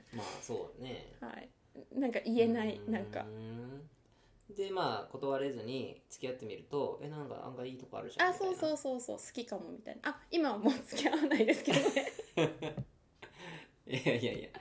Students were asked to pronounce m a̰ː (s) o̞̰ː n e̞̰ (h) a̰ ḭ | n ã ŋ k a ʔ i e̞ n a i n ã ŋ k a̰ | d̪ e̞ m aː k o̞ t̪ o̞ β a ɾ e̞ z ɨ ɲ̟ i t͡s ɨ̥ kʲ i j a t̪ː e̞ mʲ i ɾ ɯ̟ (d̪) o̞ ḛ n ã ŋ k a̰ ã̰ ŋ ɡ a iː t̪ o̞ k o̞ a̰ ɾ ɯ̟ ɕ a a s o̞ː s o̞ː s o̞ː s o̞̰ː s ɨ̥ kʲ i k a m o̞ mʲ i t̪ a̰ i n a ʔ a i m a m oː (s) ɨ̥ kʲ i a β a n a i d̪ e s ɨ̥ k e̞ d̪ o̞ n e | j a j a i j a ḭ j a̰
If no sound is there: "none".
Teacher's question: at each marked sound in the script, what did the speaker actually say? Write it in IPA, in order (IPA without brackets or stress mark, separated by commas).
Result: s, h, t̪, t͡s